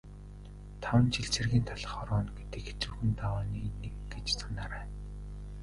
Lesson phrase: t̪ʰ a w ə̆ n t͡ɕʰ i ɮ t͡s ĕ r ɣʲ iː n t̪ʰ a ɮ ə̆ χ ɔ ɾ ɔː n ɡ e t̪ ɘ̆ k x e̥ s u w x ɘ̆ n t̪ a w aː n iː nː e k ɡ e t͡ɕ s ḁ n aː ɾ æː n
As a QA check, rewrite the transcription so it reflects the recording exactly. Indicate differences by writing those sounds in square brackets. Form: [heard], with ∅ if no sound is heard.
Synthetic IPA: t̪ʰ a w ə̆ n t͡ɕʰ i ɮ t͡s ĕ r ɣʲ iː n t̪ʰ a ɮ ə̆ χ ɔ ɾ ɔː n ɡ e t̪ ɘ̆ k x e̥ [t͡s] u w x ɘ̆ n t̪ a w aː n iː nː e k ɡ e t͡ɕ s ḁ n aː ɾ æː n

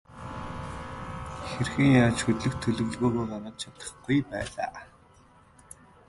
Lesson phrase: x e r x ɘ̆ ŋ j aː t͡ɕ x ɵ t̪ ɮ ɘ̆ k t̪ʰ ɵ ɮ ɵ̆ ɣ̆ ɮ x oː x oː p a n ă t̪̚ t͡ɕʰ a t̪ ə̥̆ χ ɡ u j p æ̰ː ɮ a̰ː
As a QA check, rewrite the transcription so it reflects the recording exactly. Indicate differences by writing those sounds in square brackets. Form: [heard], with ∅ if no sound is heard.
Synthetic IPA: x e r x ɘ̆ ŋ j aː t͡ɕ x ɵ t̪ ɮ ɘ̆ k t̪ʰ ɵ ɮ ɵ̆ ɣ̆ ɮ [ɣ] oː [ɣ] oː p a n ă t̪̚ t͡ɕʰ a t̪ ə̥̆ χ ɡ u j p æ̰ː ɮ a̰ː

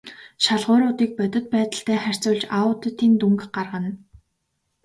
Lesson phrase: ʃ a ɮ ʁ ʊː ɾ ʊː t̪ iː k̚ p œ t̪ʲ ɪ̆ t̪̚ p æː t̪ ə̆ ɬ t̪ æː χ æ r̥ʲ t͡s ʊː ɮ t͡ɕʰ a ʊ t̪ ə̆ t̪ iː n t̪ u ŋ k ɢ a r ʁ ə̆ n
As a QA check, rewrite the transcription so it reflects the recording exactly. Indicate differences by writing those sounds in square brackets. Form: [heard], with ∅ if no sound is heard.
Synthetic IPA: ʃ a ɮ ʁ ʊː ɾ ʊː t̪ iː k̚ p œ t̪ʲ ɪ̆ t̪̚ p æː t̪ ə̆ ɬ t̪ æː χ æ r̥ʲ t͡s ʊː ɮ [t͡ɕ] a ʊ t̪ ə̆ t̪ iː n t̪ u ŋ k ɢ a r ʁ ə̆ n

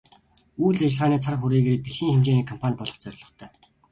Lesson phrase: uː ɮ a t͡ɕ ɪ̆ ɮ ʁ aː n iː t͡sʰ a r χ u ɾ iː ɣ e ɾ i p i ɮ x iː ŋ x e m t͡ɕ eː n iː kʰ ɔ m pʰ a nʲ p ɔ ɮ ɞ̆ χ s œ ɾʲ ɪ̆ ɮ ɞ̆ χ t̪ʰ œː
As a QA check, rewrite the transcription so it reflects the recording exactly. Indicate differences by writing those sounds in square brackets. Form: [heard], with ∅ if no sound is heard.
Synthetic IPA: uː ɮ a t͡ɕ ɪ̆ ɮ ʁ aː n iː t͡sʰ a r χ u ɾ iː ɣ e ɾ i p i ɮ x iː ŋ x e m t͡ɕ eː n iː kʰ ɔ m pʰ a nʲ p ɔ ɮ ɞ̆ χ [t͡s] œ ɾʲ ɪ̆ ɮ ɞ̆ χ t̪ʰ œː

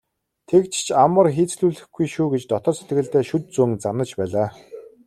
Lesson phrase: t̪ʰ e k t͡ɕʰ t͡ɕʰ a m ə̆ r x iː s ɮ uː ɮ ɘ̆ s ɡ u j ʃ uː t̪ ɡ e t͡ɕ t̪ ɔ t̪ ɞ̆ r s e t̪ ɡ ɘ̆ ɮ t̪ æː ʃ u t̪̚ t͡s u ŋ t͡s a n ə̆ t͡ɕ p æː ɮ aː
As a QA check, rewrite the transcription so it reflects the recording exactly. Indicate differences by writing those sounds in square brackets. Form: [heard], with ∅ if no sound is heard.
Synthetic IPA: t̪ʰ e k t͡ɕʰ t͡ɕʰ a m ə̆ r x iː [t͡s] ɮ uː ɮ ɘ̆ [x] ɡ u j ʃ uː [∅] ɡ e t͡ɕ t̪ ɔ t̪ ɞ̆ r s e t̪ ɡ ɘ̆ ɮ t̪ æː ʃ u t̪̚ t͡s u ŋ t͡s a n ə̆ t͡ɕ p æː ɮ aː

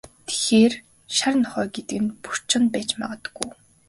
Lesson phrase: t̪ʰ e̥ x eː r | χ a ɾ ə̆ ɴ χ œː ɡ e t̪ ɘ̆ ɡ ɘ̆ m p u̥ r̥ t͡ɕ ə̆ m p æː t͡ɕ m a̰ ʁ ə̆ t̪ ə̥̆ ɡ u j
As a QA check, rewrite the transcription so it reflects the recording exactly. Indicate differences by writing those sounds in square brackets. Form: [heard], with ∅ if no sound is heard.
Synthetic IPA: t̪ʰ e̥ x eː r | [ʃ] a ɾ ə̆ [n] χ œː ɡ e t̪ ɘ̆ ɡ ɘ̆ [n] p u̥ r̥ t͡ɕ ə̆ [n] p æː t͡ɕ m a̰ ʁ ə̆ t̪ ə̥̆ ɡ u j

